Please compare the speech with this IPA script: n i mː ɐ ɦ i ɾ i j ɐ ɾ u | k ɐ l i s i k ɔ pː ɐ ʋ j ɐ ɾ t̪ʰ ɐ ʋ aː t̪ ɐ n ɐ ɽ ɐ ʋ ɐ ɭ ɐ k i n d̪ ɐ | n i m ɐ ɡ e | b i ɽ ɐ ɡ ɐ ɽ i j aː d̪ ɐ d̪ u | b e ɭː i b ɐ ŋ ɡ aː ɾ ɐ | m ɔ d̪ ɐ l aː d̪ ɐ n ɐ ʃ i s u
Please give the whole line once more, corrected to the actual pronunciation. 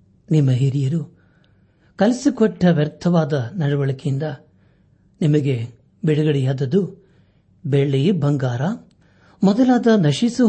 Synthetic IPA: n i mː ɐ ɦ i ɾ i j ɐ ɾ u | k ɐ l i s i k ɔ ʈː ɐ ʋ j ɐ ɾ t̪ʰ ɐ ʋ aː d̪ ɐ n ɐ ɽ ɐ ʋ ɐ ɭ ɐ k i n d̪ ɐ | n i m ɐ ɡ e | b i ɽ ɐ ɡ ɐ ɽ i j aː d̪ ɐ d̪ u | b e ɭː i b ɐ ŋ ɡ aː ɾ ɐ | m ɔ d̪ ɐ l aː d̪ ɐ n ɐ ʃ i s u